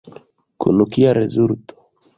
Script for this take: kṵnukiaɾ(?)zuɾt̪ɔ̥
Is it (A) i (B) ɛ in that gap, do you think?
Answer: B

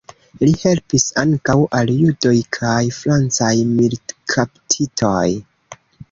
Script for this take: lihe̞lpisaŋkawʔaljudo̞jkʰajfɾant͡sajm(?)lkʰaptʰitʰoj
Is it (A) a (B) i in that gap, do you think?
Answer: B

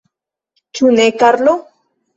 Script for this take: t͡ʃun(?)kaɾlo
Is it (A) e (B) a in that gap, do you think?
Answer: A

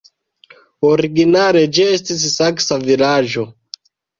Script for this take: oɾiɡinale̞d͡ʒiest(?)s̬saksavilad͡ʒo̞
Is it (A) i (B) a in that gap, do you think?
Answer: A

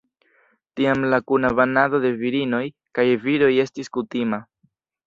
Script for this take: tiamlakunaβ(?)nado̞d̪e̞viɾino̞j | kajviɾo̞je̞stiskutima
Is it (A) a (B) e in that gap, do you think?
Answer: A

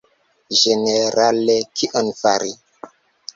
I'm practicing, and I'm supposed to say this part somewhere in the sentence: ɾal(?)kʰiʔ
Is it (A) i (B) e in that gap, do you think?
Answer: B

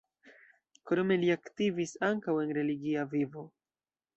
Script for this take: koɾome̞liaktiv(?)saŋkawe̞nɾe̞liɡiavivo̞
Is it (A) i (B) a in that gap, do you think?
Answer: A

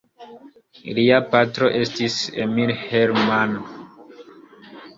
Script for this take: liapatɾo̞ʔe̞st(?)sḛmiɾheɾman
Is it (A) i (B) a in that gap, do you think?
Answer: A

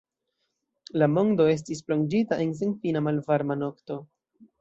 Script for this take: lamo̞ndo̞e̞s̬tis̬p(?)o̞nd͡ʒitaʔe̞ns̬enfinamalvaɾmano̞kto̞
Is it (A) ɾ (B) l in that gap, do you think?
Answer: B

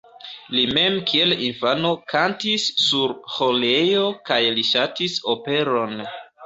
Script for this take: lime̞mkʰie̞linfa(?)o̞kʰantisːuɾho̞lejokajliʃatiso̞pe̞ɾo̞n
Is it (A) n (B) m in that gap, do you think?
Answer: A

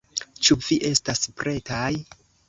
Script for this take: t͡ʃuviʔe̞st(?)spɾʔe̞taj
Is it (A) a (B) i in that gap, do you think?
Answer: A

